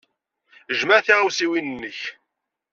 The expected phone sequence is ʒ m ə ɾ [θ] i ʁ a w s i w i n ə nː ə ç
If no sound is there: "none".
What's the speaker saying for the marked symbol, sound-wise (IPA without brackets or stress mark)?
θ